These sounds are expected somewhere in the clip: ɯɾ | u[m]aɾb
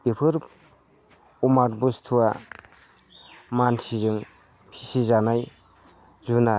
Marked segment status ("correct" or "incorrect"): correct